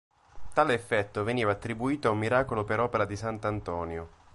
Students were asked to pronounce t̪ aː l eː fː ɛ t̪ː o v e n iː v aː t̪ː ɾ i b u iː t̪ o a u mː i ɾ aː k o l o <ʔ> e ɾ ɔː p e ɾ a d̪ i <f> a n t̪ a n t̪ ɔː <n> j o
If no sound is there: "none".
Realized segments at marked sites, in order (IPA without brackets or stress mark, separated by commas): p, s, n